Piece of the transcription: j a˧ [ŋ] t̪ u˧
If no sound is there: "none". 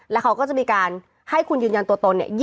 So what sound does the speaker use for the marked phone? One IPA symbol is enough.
n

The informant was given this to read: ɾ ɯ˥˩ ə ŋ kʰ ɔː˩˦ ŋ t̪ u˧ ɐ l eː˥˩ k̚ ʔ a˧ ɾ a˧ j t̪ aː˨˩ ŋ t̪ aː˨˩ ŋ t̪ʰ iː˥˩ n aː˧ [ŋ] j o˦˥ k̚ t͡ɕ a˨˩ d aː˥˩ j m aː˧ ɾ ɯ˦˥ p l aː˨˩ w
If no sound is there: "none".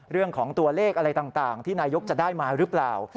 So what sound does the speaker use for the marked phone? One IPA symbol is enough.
none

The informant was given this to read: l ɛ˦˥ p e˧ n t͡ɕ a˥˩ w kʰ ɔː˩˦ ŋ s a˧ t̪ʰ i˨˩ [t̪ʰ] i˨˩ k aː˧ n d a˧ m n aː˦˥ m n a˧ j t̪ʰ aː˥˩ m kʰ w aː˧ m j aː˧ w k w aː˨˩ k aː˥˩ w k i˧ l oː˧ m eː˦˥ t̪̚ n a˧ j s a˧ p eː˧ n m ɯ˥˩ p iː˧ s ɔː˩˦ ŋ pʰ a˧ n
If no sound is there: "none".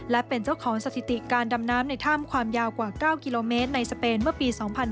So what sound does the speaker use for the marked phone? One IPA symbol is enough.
t̪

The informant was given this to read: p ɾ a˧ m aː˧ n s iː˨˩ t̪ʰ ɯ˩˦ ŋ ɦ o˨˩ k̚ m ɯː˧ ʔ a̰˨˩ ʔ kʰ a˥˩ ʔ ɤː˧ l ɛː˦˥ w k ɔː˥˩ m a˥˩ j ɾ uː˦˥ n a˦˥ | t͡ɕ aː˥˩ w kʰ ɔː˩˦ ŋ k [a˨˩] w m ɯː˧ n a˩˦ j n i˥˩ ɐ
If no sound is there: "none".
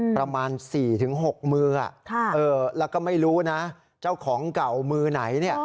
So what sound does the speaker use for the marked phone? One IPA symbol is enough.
a˨˩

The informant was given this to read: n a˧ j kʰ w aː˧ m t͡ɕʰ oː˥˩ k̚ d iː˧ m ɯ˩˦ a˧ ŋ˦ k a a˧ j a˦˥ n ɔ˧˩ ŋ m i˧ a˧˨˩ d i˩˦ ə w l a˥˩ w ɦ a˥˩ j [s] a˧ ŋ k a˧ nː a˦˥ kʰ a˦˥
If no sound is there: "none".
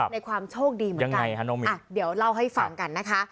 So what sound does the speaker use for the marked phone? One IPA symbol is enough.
f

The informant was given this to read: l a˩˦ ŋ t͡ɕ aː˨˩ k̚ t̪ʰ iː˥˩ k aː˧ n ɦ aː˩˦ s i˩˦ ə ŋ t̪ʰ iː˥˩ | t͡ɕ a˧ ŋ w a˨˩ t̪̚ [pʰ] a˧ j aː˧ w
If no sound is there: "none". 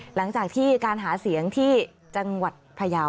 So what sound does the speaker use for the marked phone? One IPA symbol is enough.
pʰ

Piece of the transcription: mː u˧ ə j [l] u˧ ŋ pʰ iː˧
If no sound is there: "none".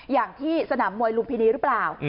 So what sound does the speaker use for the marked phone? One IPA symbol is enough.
l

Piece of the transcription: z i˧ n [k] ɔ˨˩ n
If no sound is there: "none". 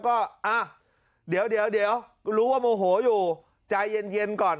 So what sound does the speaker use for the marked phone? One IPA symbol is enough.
k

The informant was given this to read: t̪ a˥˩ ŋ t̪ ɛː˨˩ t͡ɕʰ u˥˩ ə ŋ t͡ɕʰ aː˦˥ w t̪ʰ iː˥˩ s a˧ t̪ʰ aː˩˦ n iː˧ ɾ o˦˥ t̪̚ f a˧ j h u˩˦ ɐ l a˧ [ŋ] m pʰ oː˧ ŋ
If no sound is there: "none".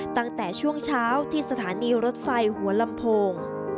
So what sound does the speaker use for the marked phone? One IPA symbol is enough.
none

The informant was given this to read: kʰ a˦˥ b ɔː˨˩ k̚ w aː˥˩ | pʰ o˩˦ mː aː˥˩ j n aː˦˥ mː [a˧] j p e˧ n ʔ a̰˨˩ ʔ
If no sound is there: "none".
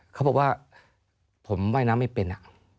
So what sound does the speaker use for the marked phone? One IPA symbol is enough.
a˥˩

